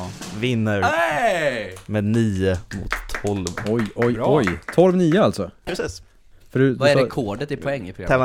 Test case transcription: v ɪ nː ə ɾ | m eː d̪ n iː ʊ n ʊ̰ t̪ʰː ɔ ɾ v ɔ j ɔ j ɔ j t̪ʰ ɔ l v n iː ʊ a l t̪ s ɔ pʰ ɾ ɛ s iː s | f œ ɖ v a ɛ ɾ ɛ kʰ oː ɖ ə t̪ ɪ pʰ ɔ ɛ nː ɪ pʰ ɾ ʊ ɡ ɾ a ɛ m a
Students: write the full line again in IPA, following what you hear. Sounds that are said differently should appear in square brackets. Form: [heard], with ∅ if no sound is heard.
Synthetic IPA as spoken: v ɪ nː ə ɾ | m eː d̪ n iː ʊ [m] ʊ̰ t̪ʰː ɔ [l] v ɔ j ɔ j ɔ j t̪ʰ ɔ l v n iː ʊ a l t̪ s ɔ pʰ ɾ ɛ s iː s | f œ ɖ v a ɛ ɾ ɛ kʰ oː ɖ ə t̪ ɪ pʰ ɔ ɛ [ŋː] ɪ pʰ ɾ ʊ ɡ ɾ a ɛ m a